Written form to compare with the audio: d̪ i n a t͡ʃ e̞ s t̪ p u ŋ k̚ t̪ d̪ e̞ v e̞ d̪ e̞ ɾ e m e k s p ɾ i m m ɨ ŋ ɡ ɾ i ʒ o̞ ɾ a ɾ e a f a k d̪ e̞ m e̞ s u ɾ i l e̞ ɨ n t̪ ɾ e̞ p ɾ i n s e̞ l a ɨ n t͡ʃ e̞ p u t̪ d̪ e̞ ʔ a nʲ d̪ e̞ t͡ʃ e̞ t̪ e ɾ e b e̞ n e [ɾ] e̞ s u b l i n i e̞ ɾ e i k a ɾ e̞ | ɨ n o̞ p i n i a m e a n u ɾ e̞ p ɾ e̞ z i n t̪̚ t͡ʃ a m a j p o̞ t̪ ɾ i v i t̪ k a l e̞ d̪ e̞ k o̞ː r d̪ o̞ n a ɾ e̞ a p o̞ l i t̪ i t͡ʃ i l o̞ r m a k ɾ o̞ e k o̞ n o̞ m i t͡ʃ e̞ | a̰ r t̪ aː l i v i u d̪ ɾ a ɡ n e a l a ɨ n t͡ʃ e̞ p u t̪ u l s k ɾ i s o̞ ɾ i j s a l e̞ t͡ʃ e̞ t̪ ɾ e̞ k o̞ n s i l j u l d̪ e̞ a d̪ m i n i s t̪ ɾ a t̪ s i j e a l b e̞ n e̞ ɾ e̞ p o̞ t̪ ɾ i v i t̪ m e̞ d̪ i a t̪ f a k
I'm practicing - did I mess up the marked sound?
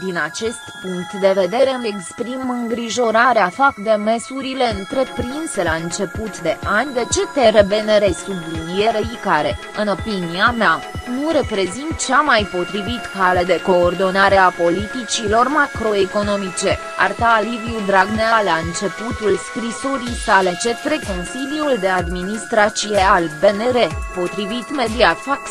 no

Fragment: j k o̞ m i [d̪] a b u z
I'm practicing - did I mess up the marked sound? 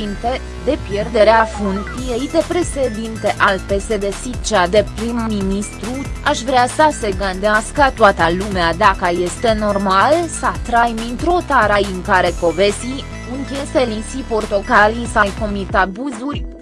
yes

